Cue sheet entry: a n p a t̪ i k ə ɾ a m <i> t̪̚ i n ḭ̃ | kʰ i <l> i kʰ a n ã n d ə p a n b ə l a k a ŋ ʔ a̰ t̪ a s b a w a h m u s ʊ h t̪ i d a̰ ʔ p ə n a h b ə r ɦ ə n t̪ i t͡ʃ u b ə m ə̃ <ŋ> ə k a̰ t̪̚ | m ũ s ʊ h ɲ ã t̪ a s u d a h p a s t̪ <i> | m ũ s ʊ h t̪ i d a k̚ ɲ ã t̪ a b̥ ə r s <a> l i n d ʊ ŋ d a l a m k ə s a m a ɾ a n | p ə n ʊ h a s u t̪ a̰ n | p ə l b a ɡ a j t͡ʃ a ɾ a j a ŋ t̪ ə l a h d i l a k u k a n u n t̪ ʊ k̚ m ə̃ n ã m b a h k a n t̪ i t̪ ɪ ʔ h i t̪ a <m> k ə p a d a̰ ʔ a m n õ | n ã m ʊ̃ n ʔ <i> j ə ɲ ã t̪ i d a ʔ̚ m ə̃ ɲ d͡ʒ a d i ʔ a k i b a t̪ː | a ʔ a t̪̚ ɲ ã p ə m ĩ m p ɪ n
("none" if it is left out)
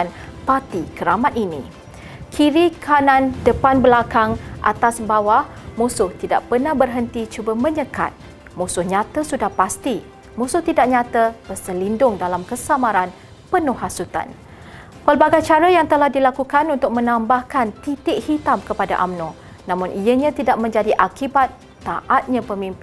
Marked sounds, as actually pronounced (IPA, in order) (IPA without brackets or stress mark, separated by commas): a, ɾ, ɲ, i, ə, m, i